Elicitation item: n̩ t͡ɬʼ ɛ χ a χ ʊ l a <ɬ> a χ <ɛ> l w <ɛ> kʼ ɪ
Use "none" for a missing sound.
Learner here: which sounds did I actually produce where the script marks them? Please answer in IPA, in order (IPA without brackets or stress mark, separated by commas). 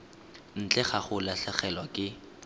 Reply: ɬ, ɛ, a